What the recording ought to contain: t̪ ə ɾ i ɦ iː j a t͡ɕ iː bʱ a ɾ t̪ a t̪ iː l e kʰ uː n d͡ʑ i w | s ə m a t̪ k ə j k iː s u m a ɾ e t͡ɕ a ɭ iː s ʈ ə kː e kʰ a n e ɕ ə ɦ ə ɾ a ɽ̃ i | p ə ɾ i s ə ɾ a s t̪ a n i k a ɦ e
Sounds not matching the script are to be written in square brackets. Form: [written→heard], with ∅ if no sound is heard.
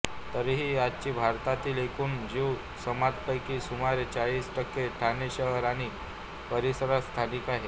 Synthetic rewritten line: t̪ ə ɾ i ɦ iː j a t͡ɕ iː bʱ a ɾ t̪ a t̪ iː l e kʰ uː n d͡ʑ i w | s ə m a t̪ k ə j k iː s u m a ɾ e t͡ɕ a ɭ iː s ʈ ə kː e [kʰ→ʈʰ] a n e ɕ ə ɦ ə ɾ a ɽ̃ i | p ə ɾ i s ə ɾ a s [t̪→t̪ʰ] a n i k a ɦ e